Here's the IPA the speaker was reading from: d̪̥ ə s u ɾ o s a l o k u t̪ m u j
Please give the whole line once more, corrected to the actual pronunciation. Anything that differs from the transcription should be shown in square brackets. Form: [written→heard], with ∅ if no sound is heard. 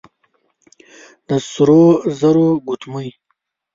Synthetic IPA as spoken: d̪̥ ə s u ɾ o [s→z] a [l→ɾ] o [k→ɡ] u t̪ m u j